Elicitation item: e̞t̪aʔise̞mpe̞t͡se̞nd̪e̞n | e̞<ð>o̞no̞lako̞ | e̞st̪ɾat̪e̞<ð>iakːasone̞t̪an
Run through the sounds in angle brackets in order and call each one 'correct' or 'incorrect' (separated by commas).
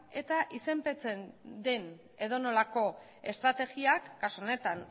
correct, incorrect